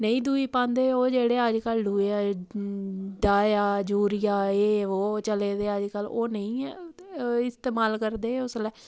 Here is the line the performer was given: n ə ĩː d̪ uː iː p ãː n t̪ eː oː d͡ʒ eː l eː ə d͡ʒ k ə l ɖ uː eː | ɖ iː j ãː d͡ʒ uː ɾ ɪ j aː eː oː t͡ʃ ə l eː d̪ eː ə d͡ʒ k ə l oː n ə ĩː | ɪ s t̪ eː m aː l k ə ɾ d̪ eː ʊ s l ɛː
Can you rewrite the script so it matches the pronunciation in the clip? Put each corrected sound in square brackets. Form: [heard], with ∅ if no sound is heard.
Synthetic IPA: n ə ĩː d̪ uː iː p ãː n [d̪] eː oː d͡ʒ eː [ɽ] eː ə d͡ʒ k ə l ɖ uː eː | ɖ [aː] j [aː] d͡ʒ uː ɾ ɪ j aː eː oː t͡ʃ ə l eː d̪ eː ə d͡ʒ k ə l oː n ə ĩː | ɪ s t̪ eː m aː l k ə ɾ d̪ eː ʊ s l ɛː